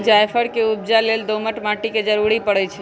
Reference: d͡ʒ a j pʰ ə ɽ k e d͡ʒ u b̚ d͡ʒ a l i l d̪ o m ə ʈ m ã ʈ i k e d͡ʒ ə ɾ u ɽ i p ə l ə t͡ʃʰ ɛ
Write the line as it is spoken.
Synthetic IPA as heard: d͡ʒ a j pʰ ə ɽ k e u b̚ d͡ʒ a l e l d̪ o m ə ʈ m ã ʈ i k e d͡ʒ ə ɾ u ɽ i p ə ɽ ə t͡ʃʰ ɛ